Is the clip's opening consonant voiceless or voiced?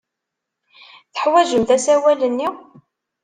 voiceless